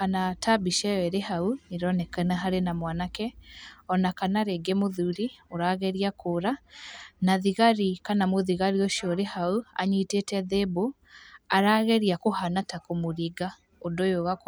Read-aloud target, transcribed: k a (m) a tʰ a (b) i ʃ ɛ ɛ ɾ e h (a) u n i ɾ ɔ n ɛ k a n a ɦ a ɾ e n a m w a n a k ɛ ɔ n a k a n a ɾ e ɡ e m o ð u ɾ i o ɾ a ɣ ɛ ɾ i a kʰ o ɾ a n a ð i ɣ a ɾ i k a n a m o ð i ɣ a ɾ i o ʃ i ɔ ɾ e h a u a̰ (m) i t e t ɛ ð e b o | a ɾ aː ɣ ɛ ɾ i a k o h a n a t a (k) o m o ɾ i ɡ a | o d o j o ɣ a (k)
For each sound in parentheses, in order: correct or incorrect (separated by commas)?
incorrect, correct, correct, incorrect, correct, correct